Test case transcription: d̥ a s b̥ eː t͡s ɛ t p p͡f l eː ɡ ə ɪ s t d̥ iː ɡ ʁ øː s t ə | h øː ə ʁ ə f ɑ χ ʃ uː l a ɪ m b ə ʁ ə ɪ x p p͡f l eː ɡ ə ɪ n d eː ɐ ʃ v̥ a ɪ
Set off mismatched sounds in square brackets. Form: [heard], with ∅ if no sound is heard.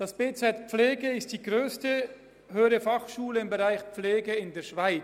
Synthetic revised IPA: d̥ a s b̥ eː t͡s ɛ t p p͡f l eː ɡ ə ɪ s t d̥ iː ɡ ʁ øː s t ə | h øː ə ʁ ə f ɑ χ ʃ uː l [ə] ɪ m b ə ʁ [a] ɪ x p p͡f l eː ɡ ə ɪ n d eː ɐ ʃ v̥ a ɪ